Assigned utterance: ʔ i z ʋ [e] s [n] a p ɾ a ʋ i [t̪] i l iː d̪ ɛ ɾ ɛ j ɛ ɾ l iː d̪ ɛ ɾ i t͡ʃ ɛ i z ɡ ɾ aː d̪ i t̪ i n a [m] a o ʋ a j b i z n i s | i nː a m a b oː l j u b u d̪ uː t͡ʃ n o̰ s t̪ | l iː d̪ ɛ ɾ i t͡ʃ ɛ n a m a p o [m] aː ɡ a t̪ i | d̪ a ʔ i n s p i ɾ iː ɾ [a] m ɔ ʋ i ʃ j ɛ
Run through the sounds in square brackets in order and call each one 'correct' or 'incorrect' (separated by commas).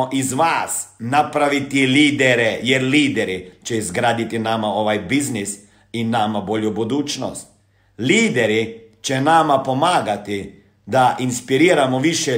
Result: incorrect, correct, correct, correct, correct, correct